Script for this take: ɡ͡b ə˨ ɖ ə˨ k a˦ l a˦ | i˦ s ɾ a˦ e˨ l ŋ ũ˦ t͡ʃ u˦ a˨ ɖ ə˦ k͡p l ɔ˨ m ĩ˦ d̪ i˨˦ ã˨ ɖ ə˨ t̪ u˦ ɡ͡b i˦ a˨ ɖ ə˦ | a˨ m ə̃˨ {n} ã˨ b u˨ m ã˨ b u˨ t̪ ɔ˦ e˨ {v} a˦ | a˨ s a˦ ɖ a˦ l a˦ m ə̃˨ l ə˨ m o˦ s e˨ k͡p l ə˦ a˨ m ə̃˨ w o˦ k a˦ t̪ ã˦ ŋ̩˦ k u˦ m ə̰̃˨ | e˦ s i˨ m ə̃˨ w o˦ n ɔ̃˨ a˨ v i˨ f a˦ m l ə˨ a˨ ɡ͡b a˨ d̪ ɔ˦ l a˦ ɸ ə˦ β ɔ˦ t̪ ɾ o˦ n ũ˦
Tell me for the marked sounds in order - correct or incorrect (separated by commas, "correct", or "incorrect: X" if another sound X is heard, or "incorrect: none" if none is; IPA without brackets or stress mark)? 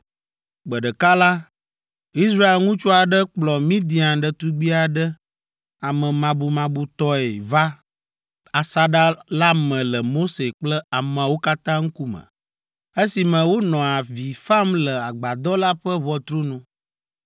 incorrect: m, correct